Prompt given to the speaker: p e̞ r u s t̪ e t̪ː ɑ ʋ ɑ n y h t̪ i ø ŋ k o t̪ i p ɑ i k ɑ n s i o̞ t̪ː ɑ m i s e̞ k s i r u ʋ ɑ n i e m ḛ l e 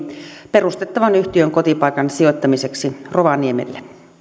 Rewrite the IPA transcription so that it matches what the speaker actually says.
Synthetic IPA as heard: p e̞ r u s t̪ e t̪ː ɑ ʋ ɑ n y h t̪ i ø ŋ k o t̪ i p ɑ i k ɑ n s i o̞ t̪ː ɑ m i s e̞ k s i r o ʋ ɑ n i e m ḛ lː e